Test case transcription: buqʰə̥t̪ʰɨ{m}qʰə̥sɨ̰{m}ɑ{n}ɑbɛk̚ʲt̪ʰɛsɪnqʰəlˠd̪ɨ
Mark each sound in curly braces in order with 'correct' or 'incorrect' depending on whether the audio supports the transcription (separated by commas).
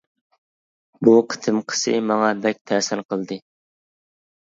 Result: correct, correct, incorrect